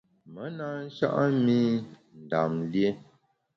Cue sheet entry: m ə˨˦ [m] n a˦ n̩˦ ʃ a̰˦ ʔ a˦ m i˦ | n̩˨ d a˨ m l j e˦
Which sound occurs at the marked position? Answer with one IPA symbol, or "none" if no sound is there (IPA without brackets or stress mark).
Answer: none